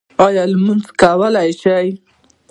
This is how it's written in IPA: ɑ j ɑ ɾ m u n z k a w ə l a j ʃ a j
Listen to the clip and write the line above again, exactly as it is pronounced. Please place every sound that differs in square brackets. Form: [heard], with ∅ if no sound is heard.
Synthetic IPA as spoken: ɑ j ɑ [l] m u n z k a w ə l a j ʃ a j